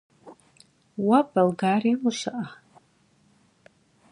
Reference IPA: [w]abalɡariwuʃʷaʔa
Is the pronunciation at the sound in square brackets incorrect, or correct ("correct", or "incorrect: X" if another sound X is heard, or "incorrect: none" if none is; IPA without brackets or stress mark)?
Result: correct